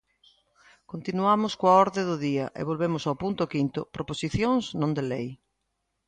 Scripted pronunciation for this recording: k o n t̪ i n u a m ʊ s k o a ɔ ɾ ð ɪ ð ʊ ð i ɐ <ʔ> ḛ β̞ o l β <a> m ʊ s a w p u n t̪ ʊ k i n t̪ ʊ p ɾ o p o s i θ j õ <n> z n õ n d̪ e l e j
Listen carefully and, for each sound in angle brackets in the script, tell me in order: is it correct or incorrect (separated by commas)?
correct, incorrect, incorrect